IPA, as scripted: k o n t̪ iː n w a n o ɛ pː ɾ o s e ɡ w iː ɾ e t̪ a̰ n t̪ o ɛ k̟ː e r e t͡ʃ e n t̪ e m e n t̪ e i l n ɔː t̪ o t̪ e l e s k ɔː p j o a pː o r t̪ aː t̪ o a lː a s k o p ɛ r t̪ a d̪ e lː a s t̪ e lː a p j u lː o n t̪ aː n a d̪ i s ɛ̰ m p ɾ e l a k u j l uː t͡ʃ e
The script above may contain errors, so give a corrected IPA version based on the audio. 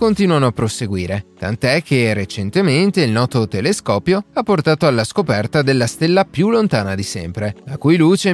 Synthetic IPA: k o n t̪ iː n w a n o a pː ɾ o s e ɡ w iː ɾ e t̪ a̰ n t̪ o ɛ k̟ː e r e t͡ʃ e n t̪ e m e n t̪ e i l n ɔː t̪ o t̪ e l e s k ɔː p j o a pː o r t̪ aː t̪ o a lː a s k o p ɛ r t̪ a d̪ e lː a s t̪ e lː a p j u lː o n t̪ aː n a d̪ i s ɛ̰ m p ɾ e l a k u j l uː t͡ʃ e